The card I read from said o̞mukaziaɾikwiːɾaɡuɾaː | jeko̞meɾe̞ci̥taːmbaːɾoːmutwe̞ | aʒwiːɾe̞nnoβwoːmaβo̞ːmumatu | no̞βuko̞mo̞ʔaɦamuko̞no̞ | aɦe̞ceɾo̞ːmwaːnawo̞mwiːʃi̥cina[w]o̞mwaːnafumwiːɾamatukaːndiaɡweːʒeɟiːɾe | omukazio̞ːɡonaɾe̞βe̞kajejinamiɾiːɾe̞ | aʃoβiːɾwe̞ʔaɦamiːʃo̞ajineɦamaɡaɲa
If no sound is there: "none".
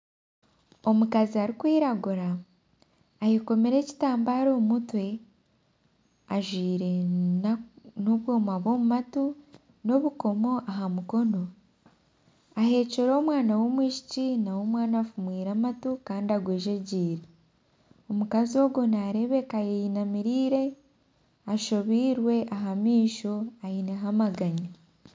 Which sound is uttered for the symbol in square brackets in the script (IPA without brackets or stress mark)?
w